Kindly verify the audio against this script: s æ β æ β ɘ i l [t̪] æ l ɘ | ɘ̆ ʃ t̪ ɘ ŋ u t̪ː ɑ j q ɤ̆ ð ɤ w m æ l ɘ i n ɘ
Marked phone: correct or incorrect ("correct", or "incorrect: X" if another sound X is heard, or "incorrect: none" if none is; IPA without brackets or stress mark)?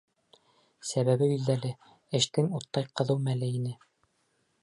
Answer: incorrect: d̪